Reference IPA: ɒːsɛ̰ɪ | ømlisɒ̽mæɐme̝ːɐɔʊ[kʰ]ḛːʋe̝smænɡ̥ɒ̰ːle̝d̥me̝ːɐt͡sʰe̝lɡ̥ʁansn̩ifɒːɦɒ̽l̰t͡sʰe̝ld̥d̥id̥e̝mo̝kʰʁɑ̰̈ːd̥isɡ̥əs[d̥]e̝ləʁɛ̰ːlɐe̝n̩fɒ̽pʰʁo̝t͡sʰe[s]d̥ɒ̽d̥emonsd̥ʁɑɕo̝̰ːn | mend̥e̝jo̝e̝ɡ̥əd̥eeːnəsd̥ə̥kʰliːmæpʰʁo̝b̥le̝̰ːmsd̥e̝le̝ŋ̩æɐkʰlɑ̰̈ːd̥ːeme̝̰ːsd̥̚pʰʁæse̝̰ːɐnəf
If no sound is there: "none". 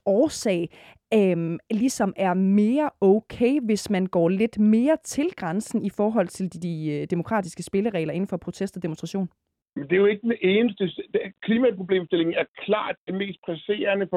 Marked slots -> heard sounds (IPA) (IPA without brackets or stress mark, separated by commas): kʰ, b̥, s